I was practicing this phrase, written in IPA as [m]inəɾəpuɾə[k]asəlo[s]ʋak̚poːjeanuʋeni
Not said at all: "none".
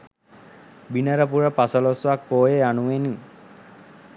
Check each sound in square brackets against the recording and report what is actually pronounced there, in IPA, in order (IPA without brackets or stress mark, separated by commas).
b, p, s